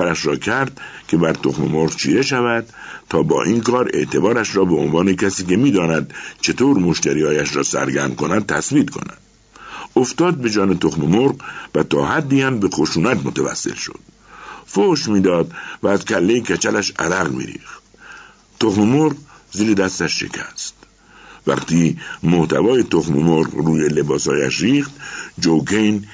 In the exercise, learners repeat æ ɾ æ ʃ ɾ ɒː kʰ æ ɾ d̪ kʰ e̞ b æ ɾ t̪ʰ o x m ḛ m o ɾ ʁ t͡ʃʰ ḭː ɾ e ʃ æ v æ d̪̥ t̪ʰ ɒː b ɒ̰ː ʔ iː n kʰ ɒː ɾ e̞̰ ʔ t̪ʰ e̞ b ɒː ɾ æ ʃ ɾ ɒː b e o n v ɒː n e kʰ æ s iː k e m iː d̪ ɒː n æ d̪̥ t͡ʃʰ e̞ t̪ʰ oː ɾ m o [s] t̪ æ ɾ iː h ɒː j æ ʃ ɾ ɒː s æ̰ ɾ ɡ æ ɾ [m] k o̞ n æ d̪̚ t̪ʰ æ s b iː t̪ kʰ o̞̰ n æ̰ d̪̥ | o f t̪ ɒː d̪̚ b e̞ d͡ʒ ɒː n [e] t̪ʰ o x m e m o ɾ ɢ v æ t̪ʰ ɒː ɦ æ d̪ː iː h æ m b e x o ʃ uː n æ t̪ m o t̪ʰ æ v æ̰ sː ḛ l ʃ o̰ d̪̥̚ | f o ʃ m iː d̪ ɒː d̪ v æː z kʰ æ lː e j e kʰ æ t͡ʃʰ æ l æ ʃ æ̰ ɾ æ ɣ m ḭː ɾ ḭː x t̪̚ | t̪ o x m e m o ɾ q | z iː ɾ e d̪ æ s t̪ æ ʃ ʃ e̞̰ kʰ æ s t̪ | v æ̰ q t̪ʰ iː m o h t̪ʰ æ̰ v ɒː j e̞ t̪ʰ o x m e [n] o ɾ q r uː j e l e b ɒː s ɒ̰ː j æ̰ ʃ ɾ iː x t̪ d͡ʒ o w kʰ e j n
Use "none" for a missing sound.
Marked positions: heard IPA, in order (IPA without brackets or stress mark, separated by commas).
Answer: ʃ, m, e, m